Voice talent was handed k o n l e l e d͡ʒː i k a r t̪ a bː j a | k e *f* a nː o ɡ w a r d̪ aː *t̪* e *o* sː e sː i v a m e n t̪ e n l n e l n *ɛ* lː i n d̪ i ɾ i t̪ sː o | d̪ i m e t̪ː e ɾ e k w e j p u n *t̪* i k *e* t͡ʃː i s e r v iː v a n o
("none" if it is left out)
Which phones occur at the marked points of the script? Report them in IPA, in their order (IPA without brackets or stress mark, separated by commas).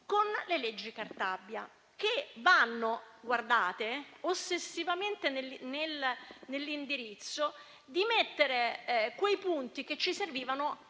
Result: v, t̪, o, e, t̪, e